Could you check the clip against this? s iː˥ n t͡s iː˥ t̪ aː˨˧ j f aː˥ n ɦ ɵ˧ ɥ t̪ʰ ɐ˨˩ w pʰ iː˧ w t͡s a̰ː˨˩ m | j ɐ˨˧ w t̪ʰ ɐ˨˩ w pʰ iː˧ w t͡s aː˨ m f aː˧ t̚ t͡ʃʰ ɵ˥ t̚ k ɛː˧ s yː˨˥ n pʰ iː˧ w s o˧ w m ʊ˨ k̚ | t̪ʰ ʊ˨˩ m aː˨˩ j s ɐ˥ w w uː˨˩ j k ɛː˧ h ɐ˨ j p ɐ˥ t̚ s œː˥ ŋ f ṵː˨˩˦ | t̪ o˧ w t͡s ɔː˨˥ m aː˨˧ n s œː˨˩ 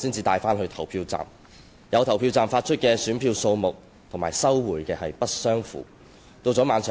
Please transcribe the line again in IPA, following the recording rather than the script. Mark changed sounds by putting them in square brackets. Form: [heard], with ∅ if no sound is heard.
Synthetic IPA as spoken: s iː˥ n t͡s [iː˧] t̪ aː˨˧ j f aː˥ n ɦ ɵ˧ ɥ t̪ʰ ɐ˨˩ w pʰ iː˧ w t͡s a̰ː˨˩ m | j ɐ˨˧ w t̪ʰ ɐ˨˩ w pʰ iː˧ w t͡s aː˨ m f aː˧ t̚ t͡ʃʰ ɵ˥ t̚ k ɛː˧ s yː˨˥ n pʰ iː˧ w s o˧ w m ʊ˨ k̚ | t̪ʰ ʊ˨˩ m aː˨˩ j s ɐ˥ w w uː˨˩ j k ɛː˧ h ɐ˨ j p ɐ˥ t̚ s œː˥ ŋ f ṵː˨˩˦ | t̪ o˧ w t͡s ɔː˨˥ m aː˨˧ n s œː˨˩